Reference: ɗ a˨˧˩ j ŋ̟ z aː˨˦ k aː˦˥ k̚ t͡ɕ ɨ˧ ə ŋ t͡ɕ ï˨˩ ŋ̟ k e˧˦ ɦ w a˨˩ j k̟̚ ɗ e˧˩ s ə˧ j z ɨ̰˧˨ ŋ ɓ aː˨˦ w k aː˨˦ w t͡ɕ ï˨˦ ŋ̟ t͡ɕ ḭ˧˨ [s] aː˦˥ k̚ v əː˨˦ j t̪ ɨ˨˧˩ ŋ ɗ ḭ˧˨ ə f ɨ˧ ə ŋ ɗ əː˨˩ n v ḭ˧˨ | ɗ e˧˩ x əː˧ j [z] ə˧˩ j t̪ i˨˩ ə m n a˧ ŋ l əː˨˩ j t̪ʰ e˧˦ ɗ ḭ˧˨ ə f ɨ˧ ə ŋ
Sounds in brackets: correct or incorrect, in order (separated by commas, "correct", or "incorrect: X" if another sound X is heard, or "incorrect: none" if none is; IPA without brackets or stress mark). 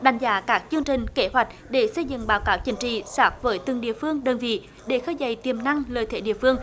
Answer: correct, correct